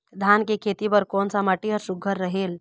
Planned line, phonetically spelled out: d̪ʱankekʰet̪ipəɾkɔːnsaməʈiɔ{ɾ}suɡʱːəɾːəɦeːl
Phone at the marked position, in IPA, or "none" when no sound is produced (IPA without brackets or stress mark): ɾ